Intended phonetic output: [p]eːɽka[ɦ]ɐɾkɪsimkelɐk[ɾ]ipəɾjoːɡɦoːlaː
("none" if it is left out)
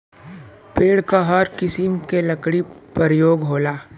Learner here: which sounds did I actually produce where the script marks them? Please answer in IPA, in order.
p, ɦ, ɽ

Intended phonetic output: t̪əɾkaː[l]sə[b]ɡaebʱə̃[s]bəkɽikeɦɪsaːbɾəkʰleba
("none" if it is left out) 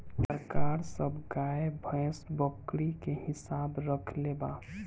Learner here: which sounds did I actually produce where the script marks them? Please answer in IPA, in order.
ɾ, b, s

